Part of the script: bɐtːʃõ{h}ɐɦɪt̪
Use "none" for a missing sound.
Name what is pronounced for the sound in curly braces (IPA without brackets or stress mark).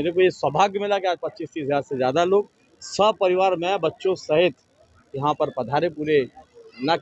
s